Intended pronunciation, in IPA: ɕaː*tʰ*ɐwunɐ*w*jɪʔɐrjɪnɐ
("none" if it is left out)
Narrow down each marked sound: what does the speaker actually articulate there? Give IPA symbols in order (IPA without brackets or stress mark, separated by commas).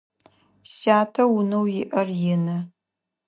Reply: tʰ, w